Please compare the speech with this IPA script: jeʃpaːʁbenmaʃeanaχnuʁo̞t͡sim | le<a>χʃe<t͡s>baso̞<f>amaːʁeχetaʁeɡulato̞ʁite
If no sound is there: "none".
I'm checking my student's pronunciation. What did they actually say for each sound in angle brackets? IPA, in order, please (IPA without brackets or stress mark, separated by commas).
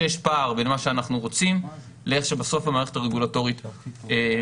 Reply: e, none, f